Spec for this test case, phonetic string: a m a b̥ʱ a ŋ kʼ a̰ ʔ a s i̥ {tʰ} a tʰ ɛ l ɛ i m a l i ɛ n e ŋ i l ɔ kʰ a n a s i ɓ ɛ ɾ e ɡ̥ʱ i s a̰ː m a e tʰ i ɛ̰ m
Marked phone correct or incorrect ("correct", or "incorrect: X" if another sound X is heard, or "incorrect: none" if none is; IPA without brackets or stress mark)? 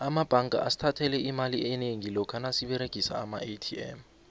correct